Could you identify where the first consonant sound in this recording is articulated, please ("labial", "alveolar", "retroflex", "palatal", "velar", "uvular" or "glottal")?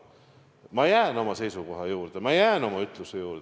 labial